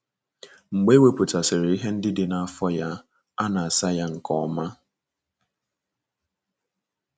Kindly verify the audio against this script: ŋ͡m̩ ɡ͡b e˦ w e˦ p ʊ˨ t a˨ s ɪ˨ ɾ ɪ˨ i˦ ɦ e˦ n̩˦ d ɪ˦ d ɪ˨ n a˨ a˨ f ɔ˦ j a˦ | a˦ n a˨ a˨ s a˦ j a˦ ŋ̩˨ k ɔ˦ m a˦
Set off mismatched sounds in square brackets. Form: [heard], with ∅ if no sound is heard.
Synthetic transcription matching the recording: ŋ͡m̩ ɡ͡b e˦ w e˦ p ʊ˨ t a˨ s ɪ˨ ɾ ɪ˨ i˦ ɦ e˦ n̩˦ d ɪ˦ d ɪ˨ n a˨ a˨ f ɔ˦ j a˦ | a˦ n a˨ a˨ s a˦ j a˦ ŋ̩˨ k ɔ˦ m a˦